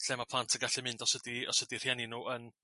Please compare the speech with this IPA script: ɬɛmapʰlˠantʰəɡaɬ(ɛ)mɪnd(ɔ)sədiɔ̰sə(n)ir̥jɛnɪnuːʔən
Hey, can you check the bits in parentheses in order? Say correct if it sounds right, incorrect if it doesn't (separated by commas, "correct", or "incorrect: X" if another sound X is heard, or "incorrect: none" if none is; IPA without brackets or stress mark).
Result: correct, correct, incorrect: d